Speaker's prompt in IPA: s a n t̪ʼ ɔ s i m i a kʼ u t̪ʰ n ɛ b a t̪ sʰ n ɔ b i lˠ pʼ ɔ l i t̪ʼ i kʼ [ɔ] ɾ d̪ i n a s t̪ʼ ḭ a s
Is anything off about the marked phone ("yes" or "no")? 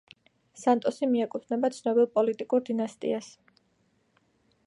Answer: yes